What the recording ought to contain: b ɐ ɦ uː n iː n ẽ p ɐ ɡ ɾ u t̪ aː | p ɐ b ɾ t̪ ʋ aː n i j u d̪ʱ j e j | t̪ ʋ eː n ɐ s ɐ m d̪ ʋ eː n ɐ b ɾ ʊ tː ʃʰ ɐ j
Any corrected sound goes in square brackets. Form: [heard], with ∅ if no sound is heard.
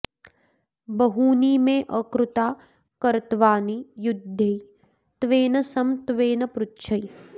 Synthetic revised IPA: b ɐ ɦ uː n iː [m] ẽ [ʔ] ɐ [k] ɾ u t̪ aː | [k] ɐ [∅] ɾ t̪ ʋ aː n i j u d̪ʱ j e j | t̪ ʋ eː n ɐ s ɐ m [t̪] ʋ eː n ɐ [p] ɾ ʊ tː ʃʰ ɐ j